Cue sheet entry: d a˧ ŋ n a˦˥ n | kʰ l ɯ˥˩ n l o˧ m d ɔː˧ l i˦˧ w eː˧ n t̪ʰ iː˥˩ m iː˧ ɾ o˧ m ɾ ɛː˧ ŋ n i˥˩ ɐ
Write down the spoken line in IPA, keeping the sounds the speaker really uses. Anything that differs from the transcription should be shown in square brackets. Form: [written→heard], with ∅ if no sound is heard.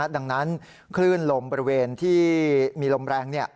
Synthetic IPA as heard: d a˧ ŋ n a˦˥ n | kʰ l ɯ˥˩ n l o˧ m [d→b] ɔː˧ [l→ɾ] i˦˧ w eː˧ n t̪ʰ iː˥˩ m iː˧ [ɾ→l] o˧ m ɾ ɛː˧ ŋ n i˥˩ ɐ